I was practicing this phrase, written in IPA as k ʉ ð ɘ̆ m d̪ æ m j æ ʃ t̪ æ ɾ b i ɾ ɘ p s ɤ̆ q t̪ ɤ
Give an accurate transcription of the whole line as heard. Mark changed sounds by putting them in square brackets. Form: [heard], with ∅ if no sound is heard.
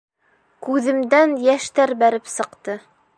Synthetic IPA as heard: k ʉ ð ɘ̆ m d̪ æ [n] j æ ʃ t̪ æ ɾ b [æ] ɾ ɘ p s ɤ̆ q t̪ ɤ